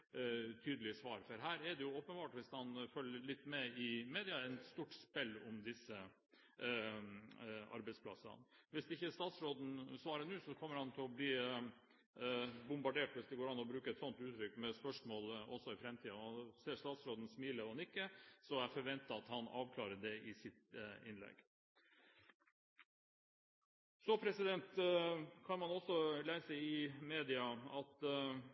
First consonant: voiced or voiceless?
voiceless